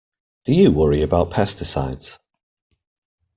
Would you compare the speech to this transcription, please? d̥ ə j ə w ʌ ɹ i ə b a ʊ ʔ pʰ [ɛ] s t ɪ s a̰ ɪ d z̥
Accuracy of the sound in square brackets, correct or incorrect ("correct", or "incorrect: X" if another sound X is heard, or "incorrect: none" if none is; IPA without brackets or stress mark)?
correct